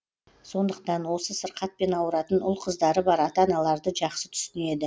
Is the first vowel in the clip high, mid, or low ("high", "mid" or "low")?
mid